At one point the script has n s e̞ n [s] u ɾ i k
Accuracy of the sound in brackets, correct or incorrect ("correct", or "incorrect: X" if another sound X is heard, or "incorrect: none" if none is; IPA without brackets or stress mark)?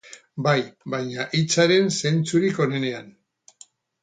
incorrect: t͡s